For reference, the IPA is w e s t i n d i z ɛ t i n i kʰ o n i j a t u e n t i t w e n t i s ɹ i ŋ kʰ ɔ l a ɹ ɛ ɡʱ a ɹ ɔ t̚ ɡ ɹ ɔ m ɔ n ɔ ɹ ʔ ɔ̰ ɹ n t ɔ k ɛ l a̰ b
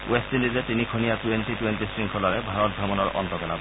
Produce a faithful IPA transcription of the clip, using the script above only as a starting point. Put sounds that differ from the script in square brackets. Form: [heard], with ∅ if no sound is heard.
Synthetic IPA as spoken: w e s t i n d i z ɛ t i n i kʰ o n i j a t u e n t i t w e n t i s ɹ i ŋ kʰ ɔ l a ɹ ɛ [bʱ] a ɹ ɔ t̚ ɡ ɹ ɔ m ɔ n ɔ ɹ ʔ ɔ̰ [∅] n t ɔ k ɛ l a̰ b